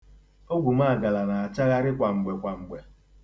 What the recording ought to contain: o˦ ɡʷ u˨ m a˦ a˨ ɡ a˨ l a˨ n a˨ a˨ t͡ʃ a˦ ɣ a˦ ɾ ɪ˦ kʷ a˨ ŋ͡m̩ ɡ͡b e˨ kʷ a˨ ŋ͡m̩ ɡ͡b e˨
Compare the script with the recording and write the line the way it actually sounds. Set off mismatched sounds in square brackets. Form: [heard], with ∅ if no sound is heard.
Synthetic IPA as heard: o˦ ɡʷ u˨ m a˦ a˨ ɡ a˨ l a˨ n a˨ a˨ t͡ʃ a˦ ɣ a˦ ɾ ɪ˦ kʷ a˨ ŋ͡m̩ ɡ͡b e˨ kʷ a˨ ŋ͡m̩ ɡ͡b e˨